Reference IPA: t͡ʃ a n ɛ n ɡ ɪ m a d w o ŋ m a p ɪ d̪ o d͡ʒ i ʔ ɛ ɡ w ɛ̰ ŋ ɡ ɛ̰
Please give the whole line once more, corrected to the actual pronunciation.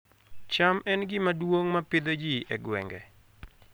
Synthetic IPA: t͡ʃ a m ɛ n ɡ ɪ m a d w o ŋ m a p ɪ d̪ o d͡ʒ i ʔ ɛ ɡ w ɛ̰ ŋ ɡ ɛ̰